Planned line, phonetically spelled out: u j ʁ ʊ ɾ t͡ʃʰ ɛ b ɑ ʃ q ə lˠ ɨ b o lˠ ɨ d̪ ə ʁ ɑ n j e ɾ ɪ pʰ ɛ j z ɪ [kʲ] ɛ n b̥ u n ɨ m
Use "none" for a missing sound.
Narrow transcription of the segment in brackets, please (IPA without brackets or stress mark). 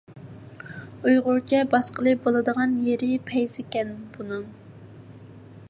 kʲ